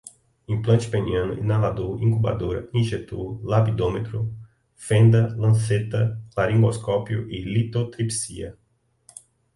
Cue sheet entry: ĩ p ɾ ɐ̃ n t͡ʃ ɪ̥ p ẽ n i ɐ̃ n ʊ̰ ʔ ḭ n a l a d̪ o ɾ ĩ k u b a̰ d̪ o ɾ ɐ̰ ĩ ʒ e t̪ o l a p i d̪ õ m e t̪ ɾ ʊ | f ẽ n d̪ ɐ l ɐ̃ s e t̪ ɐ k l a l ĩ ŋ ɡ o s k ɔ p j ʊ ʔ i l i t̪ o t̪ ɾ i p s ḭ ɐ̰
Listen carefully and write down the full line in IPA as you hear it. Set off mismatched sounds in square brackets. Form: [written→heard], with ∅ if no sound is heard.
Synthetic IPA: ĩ p [ɾ→l] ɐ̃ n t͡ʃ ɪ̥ p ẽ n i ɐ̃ n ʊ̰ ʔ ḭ n a l a d̪ o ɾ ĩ k u b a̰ d̪ o ɾ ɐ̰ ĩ ʒ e t̪ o l a p i d̪ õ m e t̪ ɾ ʊ | f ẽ n d̪ ɐ l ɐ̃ s e t̪ ɐ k l a [l→ɾ] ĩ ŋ ɡ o s k ɔ p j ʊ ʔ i l i t̪ o t̪ ɾ i p s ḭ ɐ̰